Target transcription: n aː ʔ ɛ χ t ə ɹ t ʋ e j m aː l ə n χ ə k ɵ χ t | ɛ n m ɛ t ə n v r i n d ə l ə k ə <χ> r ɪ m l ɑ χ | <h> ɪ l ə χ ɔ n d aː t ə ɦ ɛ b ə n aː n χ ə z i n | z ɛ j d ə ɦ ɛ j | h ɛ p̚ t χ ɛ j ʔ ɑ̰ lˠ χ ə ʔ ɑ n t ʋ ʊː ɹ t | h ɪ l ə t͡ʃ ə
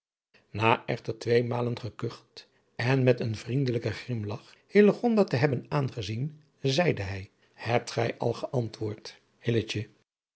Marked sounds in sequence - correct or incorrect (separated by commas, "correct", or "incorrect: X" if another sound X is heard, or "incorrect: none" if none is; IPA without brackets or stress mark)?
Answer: correct, correct